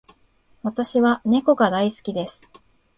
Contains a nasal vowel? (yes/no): no